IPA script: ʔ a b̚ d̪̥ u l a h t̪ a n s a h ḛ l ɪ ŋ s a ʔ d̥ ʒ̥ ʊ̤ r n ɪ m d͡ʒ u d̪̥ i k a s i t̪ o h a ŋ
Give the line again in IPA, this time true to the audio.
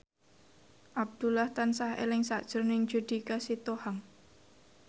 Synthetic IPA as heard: ʔ a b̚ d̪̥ u l a h t̪ a n s a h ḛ l ɪ ŋ s a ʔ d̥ ʒ̥ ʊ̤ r n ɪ ŋ d͡ʒ u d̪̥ i k a s i t̪ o h a ŋ